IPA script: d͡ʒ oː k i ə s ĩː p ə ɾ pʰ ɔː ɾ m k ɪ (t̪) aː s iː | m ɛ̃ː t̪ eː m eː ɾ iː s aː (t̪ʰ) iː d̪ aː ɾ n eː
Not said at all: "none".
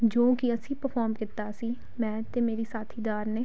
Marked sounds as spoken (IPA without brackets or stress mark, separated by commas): t̪, t̪ʰ